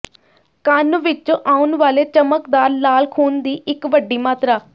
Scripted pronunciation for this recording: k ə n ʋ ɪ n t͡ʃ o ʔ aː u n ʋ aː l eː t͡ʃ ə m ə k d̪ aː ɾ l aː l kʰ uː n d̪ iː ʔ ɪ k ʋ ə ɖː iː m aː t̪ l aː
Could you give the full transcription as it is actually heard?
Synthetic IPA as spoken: k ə n ʋ ɪ t͡ʃ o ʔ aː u n ʋ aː l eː t͡ʃ ə m ə k d̪ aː ɾ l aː l kʰ uː n d̪ iː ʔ ɪ k ʋ ə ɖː iː m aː t̪ ɾ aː